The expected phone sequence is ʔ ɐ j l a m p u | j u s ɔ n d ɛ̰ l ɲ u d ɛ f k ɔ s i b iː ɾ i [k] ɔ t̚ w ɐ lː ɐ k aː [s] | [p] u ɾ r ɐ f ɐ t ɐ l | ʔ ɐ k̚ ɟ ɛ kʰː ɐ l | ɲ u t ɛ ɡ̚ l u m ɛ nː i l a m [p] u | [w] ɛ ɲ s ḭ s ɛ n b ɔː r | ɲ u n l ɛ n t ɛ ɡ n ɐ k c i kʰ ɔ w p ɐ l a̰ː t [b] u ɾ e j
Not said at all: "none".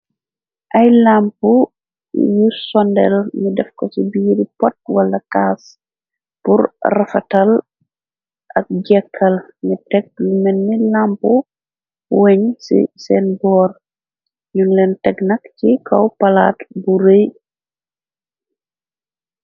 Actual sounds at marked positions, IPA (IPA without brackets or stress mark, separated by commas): p, s, p, p, w, b